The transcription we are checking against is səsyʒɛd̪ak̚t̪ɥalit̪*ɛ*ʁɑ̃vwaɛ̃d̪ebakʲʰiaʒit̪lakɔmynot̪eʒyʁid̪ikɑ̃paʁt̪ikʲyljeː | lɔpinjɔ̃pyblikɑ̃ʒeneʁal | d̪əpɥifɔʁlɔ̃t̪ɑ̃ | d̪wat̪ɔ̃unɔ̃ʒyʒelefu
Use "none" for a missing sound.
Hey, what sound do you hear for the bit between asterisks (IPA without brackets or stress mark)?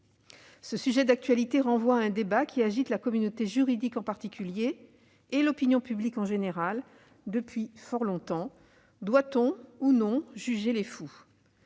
e